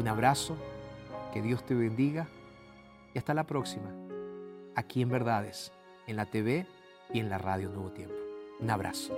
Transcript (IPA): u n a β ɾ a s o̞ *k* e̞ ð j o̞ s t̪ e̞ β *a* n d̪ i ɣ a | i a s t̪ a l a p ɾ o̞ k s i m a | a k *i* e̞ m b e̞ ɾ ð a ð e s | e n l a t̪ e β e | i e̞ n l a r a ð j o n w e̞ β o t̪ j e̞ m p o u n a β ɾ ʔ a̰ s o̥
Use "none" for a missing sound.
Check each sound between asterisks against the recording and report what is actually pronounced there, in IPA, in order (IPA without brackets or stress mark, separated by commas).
k, e, i